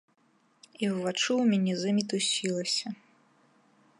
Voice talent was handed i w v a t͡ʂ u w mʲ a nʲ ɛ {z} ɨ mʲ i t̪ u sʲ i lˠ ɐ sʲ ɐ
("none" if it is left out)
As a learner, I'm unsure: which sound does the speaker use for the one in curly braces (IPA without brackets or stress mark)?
z